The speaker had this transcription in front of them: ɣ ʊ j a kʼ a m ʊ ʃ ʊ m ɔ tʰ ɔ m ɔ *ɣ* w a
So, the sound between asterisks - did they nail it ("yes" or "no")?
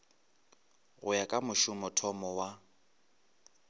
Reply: no